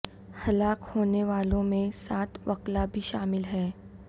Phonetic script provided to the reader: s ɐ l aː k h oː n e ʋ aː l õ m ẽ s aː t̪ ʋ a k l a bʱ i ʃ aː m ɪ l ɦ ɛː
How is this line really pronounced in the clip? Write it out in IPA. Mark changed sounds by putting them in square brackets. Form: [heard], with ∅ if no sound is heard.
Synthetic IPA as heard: [h] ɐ l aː k h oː n e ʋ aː l õ m ẽ s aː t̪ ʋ [ɐ] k l a bʱ i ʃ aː m ɪ l ɦ ɛː

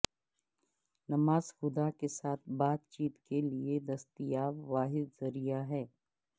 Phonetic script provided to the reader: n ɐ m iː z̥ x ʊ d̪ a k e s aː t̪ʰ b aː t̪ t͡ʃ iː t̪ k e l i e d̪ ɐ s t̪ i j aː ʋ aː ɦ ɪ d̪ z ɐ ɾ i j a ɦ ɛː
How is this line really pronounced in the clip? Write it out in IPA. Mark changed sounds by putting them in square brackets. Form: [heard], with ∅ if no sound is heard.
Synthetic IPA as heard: n ɐ m [aː] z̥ x ʊ d̪ a k e s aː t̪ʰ b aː t̪ t͡ʃ iː t̪ k e l i e d̪ ɐ s t̪ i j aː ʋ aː ɦ ɪ d̪ z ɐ ɾ i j a ɦ ɛː

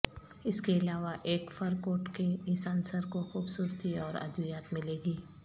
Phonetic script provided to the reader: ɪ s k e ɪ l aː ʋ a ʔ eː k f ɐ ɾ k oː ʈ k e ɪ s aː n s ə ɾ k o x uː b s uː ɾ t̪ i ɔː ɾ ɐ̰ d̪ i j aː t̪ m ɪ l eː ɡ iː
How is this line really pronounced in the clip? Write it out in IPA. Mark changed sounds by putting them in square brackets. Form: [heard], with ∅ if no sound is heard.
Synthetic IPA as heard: ɪ s k e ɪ l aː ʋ a ʔ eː k f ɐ ɾ k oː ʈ k e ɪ s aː n s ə ɾ k o x uː b s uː ɾ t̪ i ɔː ɾ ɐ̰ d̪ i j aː t̪ m ɪ l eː ɡ iː

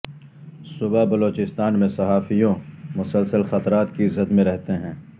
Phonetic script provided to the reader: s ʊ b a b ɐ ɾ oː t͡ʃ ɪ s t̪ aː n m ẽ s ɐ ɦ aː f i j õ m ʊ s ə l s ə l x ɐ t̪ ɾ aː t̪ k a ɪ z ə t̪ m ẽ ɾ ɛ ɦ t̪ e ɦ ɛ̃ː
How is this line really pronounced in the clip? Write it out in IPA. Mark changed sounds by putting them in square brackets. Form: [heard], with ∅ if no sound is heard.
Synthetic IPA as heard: s ʊ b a b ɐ [l] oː t͡ʃ ɪ s t̪ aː n m ẽ s ɐ ɦ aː f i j õ m ʊ s ə l s ə l x ɐ t̪ ɾ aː t̪ k [i] ɪ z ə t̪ m ẽ ɾ ɛ ɦ t̪ e ɦ ɛ̃ː

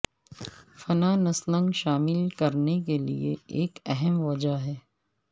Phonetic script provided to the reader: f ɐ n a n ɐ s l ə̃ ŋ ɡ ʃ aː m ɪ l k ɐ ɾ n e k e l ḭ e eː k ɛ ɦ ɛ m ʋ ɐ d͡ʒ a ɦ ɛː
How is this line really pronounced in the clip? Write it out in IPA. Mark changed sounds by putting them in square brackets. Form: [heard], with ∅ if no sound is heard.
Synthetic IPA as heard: f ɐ n a n ɐ s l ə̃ ŋ ɡ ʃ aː m ɪ l k ɐ ɾ n e k e l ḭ e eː k ɛ ɦ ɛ m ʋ ɐ d͡ʒ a ɦ ɛː

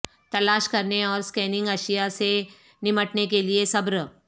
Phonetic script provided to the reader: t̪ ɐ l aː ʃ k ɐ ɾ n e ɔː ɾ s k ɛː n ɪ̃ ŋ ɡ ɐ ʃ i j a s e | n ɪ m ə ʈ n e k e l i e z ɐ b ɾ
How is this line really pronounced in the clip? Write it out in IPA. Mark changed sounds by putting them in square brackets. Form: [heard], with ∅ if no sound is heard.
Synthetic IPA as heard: t̪ ɐ l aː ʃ k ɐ ɾ n e ɔː ɾ s k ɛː n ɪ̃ ŋ ɡ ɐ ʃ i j a s e | n ɪ m ə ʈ n e k e l i e [s] ɐ b ɾ

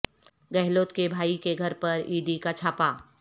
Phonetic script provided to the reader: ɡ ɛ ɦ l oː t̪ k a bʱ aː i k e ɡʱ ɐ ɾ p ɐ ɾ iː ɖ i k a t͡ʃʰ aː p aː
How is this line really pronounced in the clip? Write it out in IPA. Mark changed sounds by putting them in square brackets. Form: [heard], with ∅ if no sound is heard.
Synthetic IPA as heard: ɡ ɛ ɦ l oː t̪ k [e] bʱ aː i k e ɡʱ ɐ ɾ p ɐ ɾ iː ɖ i k a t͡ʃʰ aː p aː

